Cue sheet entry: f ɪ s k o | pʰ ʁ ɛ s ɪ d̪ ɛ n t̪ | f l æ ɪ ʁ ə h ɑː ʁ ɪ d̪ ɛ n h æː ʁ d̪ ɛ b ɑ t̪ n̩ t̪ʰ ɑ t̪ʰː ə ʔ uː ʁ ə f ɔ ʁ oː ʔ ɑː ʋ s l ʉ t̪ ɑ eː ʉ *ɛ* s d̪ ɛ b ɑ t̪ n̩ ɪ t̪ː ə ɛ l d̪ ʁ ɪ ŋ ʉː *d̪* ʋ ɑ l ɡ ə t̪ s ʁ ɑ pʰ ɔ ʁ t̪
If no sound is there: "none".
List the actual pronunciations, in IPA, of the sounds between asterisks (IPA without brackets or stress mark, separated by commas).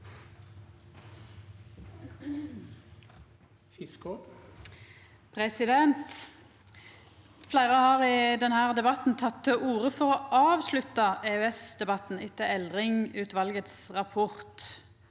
ɛ, t̪